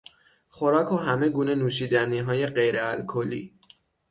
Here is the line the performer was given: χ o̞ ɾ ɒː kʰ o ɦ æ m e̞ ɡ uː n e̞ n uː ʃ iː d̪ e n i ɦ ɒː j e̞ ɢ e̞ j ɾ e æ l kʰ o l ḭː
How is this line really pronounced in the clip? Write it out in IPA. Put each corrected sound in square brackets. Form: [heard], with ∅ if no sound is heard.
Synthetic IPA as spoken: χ o̞ ɾ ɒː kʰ o ɦ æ m e̞ ɡ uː n e̞ n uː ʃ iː d̪ [æ] n i ɦ ɒː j e̞ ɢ e̞ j ɾ e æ l kʰ o l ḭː